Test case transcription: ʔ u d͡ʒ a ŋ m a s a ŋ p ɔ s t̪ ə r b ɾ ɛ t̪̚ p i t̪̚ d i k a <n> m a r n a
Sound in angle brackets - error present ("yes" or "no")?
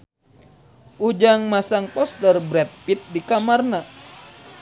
yes